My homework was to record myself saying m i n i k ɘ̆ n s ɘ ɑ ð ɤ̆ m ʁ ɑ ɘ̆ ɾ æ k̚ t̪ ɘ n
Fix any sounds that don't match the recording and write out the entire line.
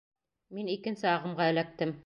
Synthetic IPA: m i n i k ɘ̆ n s ɘ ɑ ʁ ɤ̆ m ʁ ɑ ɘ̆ l æ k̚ t̪ ɘ m